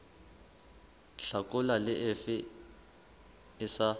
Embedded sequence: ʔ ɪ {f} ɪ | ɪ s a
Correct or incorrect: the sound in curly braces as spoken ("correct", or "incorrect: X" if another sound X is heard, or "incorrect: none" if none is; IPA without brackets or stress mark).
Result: correct